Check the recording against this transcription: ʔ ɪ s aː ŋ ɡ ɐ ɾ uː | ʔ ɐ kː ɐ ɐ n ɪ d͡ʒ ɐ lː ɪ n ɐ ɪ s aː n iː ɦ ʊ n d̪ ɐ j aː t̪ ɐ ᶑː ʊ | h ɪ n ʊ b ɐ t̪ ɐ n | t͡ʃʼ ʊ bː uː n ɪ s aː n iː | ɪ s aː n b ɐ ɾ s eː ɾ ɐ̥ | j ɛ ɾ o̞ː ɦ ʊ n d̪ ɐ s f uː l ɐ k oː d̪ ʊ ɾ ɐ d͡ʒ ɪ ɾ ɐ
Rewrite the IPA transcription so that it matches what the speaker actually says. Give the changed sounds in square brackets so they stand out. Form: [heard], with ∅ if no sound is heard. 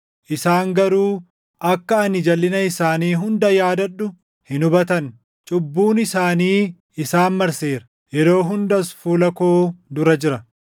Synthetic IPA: ʔ ɪ s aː ŋ ɡ ɐ ɾ uː | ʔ ɐ kː ɐ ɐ n ɪ d͡ʒ ɐ lː ɪ n ɐ ɪ s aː n iː ɦ ʊ n d̪ ɐ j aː [d̪] ɐ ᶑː ʊ | h ɪ n ʊ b ɐ t̪ ɐ n | t͡ʃʼ ʊ bː uː n ɪ s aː n iː | ɪ s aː n [m] ɐ ɾ s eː ɾ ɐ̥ | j ɛ ɾ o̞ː ɦ ʊ n d̪ ɐ s f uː l ɐ k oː d̪ ʊ ɾ ɐ d͡ʒ ɪ ɾ ɐ